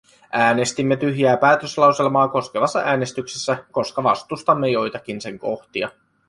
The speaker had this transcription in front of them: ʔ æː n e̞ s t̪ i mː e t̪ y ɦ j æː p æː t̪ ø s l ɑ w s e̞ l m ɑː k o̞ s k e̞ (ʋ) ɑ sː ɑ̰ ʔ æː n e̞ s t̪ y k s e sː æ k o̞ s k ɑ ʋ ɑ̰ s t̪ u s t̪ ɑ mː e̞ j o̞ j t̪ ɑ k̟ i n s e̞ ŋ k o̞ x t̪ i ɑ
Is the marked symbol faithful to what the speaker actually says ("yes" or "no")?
yes